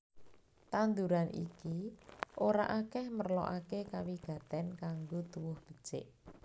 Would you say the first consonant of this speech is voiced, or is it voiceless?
voiceless